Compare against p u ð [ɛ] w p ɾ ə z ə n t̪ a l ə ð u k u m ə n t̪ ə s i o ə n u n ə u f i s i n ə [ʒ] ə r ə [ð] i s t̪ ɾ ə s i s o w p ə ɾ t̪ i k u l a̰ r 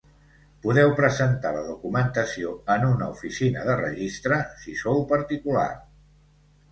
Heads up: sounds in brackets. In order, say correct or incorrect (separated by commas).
correct, incorrect, incorrect